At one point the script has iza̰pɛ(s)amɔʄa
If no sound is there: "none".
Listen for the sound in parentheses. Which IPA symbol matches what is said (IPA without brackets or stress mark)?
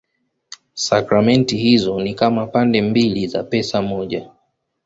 s